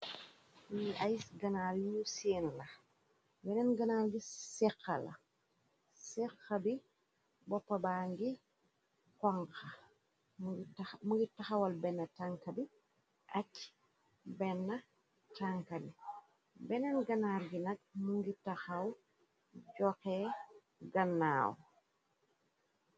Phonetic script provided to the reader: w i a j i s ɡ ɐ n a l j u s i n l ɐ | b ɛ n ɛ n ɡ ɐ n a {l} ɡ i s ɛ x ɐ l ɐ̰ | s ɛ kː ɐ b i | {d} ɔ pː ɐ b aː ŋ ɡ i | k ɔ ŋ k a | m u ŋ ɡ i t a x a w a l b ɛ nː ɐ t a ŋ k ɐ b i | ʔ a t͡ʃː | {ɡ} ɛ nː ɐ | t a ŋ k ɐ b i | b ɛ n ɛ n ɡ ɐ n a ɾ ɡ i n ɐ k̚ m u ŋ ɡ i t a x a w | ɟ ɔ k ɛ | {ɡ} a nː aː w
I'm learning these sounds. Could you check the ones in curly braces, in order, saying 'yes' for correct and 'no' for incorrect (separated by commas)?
yes, no, no, yes